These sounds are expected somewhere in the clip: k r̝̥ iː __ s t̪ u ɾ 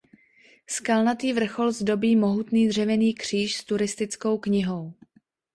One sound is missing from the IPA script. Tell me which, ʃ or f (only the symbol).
ʃ